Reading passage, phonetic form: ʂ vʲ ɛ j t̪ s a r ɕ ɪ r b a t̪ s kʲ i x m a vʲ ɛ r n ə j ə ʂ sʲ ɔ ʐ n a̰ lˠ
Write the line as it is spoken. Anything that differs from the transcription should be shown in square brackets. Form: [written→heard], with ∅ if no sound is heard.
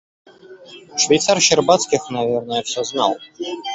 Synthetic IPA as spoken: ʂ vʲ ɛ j t̪ s a r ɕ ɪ r b a t̪ s kʲ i x [m→n] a vʲ ɛ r n ə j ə [ʂ→f] sʲ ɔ [ʐ→z] n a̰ lˠ